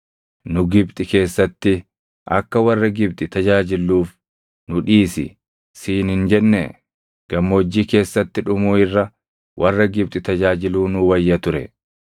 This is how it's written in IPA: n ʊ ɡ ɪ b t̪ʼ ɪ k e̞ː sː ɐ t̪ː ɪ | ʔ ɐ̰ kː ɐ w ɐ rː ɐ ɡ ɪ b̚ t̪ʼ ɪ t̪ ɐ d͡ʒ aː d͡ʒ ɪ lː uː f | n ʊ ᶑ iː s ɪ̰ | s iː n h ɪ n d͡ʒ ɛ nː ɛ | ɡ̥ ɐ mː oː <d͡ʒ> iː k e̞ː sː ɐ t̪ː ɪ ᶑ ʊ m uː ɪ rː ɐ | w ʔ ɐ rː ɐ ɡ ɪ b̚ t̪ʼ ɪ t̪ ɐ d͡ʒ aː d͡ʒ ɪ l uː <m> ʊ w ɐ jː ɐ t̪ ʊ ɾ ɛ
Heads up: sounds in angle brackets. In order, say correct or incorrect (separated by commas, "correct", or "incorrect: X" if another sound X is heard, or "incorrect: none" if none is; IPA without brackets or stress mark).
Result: incorrect: d͡ʒː, incorrect: n